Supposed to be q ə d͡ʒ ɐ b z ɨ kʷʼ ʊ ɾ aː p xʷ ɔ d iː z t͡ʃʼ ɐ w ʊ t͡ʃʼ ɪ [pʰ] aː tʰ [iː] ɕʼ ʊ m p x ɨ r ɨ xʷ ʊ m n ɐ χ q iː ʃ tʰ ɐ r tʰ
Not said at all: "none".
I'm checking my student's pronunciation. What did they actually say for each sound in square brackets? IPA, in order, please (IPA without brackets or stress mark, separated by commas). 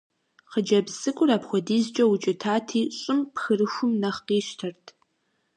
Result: tʰ, iː